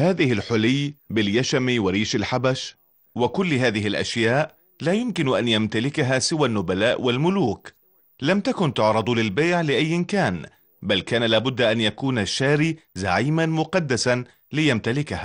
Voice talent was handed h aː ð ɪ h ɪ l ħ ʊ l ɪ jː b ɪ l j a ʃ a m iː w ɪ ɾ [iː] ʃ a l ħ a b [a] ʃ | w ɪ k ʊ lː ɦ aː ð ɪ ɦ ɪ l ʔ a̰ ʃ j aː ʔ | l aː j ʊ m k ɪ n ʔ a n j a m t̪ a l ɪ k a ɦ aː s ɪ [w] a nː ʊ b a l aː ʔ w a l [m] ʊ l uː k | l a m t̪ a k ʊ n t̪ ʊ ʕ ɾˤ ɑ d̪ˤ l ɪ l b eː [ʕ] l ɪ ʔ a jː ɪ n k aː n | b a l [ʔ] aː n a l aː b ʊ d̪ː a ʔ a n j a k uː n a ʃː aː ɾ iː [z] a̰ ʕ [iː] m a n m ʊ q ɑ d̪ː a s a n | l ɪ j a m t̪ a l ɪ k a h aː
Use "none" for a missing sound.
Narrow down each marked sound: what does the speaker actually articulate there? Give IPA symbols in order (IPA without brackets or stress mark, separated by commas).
iː, a, w, m, ʕ, k, z, iː